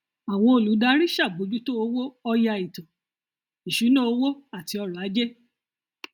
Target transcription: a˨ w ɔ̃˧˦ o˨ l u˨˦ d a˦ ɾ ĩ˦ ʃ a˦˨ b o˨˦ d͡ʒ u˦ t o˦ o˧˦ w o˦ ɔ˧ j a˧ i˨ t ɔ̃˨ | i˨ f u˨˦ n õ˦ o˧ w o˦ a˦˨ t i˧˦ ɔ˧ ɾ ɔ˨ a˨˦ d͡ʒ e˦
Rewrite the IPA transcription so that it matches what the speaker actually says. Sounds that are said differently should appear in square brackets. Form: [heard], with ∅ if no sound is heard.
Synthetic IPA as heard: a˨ w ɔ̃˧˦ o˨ l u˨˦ d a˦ ɾ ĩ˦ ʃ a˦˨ b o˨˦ d͡ʒ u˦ t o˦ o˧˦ w o˦ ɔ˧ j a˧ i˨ t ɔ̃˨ | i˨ [ʃ] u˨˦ n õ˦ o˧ w o˦ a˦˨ t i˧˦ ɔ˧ ɾ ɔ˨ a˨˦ d͡ʒ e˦